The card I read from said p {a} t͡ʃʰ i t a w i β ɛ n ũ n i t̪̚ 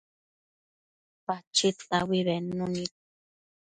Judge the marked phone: correct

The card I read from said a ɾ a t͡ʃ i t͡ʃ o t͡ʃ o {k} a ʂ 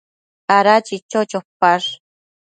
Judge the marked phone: incorrect: p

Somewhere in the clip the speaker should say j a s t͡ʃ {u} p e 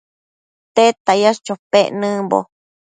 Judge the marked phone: incorrect: o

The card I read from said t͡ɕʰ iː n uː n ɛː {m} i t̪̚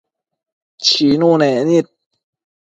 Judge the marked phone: incorrect: n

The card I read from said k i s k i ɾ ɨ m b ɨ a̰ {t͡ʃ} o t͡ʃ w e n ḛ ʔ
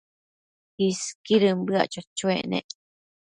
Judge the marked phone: correct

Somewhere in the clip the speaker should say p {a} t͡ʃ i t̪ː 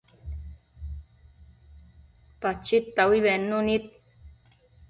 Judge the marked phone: correct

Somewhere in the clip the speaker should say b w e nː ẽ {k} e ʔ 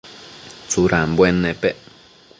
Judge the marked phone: incorrect: p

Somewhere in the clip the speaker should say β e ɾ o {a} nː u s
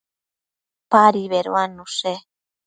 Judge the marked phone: correct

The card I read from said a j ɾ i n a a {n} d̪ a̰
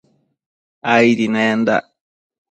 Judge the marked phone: correct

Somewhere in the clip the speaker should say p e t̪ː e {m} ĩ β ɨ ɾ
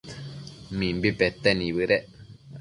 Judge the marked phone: incorrect: n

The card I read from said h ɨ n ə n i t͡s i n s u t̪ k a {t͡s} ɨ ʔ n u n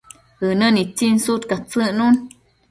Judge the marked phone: correct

